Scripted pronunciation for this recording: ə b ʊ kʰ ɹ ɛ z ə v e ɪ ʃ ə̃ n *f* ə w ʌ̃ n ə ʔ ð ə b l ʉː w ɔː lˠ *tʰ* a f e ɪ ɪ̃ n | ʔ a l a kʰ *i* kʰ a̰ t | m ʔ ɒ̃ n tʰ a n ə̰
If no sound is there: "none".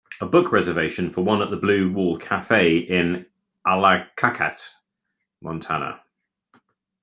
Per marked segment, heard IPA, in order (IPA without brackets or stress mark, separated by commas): f, kʰ, a